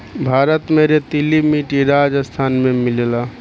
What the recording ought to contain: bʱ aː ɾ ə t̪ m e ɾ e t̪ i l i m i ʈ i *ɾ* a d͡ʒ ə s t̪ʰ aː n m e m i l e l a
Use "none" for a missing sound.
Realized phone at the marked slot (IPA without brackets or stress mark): ɾ